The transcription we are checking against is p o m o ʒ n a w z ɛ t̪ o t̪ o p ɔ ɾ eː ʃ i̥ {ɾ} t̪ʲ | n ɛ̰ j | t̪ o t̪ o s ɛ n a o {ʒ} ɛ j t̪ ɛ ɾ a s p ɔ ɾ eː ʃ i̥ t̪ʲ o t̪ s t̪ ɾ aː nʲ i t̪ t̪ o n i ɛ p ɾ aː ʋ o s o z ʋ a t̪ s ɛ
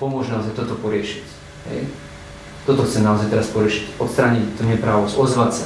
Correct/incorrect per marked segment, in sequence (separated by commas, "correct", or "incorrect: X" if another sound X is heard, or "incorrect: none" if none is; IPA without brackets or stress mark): incorrect: none, incorrect: z